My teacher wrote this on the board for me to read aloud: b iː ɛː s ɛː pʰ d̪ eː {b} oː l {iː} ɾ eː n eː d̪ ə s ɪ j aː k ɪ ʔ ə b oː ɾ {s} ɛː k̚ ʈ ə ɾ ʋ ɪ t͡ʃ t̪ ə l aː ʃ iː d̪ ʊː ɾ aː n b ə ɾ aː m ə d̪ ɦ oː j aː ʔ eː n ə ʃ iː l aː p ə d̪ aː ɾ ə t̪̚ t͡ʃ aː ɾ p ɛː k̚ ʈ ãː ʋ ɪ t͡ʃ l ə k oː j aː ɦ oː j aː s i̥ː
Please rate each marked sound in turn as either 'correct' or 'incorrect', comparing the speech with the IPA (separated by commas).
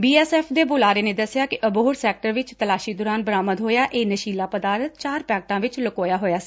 correct, incorrect, correct